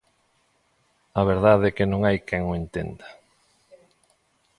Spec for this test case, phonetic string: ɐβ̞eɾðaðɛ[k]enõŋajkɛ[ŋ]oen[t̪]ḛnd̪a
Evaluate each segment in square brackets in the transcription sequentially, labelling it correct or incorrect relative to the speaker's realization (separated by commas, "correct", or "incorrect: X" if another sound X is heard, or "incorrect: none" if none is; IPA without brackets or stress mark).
correct, correct, correct